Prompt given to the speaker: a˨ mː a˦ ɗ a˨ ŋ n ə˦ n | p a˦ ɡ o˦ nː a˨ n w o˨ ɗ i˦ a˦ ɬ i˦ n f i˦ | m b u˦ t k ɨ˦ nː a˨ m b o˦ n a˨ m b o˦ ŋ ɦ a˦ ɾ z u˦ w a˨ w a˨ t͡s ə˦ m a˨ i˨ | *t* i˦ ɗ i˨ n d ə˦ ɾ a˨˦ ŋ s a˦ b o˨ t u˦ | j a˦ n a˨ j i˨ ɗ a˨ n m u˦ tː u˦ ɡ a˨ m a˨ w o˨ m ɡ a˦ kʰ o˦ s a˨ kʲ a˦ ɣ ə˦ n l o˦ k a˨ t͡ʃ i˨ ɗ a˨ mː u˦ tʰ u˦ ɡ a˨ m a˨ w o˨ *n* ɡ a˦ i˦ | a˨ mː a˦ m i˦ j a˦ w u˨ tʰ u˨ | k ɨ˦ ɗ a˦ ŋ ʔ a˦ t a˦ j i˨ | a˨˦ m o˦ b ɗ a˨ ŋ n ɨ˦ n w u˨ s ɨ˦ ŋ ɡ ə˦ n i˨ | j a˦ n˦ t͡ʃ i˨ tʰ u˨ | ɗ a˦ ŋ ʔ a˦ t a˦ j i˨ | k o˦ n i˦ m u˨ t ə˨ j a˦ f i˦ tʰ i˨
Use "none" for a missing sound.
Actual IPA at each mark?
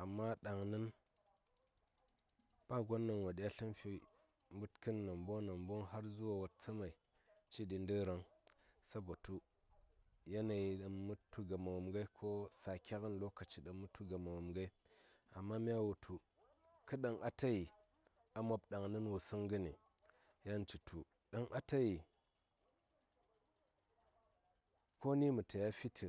t͡ʃ, m

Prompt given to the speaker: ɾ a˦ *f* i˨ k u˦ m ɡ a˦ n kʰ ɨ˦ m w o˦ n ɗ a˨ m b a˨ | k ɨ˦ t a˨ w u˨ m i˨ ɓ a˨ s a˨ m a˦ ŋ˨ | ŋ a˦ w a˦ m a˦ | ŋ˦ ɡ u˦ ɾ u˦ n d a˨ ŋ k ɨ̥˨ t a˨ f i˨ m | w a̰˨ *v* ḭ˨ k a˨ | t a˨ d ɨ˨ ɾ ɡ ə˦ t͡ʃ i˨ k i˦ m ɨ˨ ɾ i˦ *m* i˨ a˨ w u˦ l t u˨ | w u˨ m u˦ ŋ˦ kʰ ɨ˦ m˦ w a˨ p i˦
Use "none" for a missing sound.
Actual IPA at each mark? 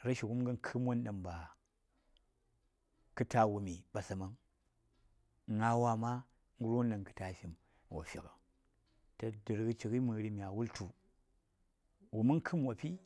ʃ, f, m

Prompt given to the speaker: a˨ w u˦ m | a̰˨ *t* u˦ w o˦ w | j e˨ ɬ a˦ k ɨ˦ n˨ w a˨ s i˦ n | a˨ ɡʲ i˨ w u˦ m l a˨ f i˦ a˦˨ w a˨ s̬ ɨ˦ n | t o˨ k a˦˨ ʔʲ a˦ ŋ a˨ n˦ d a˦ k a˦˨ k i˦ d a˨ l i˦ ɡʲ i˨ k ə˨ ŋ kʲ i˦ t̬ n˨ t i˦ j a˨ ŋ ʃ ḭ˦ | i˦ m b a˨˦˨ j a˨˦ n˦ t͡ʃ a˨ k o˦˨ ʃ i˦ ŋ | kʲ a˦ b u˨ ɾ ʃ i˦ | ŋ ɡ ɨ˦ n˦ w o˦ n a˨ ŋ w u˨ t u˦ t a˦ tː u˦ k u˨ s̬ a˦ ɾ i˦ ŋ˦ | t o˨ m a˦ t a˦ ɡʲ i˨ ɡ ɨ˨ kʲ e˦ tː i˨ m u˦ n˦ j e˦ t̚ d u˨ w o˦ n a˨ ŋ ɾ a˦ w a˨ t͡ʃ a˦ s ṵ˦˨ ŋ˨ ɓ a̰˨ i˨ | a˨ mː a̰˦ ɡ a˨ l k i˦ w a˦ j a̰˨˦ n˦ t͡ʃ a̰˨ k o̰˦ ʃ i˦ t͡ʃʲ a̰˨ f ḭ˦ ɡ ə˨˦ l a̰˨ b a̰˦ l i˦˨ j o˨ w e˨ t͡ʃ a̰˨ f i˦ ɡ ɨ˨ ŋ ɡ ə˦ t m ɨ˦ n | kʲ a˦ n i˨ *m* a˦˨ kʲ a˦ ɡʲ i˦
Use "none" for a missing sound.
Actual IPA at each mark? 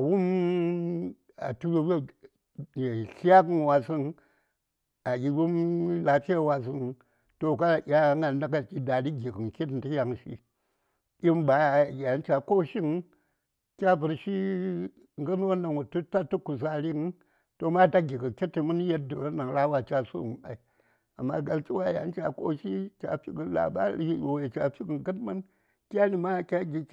t, m

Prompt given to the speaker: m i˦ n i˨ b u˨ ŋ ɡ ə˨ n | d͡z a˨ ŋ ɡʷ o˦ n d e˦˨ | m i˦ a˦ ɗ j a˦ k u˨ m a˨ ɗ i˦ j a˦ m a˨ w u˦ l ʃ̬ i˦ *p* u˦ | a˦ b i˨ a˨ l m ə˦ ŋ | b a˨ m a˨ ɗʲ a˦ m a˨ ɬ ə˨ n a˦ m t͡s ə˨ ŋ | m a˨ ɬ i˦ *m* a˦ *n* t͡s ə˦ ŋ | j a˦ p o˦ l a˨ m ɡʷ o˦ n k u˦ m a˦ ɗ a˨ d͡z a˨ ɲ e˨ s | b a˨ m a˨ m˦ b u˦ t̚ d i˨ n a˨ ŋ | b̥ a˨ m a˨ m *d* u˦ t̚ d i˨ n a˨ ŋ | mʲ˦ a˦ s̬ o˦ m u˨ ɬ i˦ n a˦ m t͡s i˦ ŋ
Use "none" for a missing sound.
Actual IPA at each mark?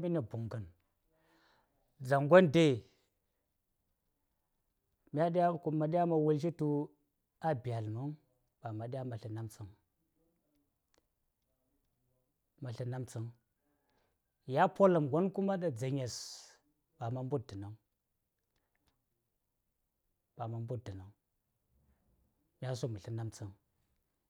t, n, m, b

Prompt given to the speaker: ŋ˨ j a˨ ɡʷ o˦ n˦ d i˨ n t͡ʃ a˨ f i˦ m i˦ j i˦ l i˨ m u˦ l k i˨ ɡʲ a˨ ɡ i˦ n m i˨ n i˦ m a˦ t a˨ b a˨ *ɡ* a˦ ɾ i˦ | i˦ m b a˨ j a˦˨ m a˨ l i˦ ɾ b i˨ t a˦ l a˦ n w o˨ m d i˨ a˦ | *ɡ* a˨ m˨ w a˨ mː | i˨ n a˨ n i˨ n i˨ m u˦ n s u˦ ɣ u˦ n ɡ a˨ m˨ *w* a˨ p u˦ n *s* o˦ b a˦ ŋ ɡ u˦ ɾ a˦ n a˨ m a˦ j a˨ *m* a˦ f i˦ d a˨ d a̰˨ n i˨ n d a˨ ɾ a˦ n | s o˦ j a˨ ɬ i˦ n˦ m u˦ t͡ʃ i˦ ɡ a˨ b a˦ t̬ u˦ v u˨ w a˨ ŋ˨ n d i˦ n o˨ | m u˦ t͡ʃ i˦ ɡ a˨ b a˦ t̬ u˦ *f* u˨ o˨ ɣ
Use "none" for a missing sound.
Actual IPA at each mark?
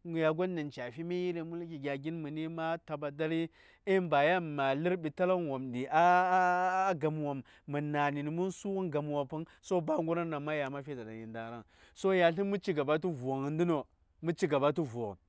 d, ɡ, w, s, m, v

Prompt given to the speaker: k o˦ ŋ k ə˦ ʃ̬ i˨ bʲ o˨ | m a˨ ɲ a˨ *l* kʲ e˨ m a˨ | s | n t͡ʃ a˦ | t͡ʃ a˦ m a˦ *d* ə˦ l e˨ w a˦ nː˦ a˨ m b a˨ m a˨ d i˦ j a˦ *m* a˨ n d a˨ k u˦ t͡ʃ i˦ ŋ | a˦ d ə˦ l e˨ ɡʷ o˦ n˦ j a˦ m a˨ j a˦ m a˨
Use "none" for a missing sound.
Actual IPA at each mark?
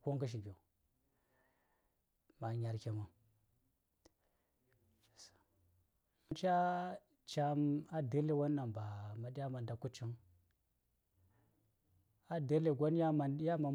ɾ, d, m

